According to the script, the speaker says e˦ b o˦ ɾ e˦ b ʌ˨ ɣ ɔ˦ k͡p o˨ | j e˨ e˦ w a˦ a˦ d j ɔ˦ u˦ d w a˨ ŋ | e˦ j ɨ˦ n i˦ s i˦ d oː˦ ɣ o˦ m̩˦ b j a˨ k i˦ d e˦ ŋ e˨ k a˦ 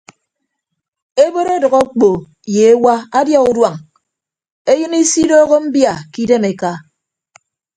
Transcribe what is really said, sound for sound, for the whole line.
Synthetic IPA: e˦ b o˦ ɾ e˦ d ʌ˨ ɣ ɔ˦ k͡p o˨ | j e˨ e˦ w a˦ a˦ d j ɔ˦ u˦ d w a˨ ŋ | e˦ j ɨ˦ n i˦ s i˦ d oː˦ ɣ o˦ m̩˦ b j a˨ k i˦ d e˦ m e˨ k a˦